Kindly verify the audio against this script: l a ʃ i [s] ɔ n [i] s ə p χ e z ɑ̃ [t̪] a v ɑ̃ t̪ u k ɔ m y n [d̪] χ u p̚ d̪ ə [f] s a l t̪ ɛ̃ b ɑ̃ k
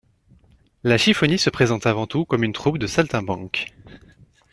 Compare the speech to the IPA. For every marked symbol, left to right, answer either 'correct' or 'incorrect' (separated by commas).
incorrect, correct, correct, incorrect, incorrect